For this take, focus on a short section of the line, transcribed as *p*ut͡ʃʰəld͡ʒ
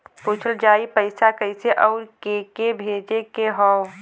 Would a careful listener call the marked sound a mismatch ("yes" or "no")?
no